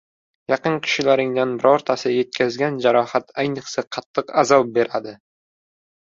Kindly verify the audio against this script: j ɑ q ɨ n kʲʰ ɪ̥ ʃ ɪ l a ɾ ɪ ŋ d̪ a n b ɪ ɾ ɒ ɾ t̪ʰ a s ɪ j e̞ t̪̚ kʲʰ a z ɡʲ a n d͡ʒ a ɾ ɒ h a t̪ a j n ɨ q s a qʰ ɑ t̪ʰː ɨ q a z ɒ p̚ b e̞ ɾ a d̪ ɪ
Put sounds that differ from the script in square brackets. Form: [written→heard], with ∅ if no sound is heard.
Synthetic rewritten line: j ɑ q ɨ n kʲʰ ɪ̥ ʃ ɪ l a ɾ ɪ ŋ d̪ a n b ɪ ɾ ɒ ɾ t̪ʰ a s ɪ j e̞ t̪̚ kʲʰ a z ɡʲ a n d͡ʒ a ɾ ɒ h a t̪ a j n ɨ q s a qʰ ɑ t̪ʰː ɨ q a z ɒ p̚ b e̞ ɾ a d̪ ɪ